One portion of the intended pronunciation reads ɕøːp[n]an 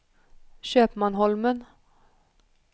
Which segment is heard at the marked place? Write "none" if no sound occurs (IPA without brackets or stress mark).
m